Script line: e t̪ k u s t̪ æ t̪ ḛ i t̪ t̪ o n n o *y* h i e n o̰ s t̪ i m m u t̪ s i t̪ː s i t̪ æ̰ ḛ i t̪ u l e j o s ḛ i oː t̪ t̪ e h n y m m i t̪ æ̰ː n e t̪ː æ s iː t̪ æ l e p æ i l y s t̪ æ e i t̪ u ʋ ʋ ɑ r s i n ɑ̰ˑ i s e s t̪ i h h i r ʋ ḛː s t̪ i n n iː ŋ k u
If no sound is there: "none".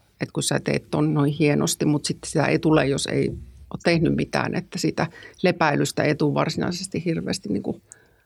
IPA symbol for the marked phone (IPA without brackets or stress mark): i